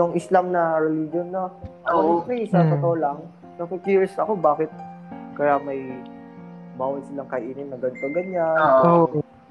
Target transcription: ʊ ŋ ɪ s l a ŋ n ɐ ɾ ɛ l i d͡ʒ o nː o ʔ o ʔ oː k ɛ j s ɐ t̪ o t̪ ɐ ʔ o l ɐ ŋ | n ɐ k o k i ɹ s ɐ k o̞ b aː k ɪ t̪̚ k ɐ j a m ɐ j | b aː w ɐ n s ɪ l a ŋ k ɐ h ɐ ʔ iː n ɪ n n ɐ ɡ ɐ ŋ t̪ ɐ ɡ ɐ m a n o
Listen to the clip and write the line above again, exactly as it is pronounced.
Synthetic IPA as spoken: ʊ ŋ ɪ s l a m n ɐ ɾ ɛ l i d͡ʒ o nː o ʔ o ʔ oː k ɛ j s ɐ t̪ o t̪ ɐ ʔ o l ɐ ŋ | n ɐ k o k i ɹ s ɐ k o̞ b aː k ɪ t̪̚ k ɐ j a m ɐ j | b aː w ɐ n s ɪ l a ŋ k ɐ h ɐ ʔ iː n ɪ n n ɐ ɡ ɐ n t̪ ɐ ɡ ɐ ɲ a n o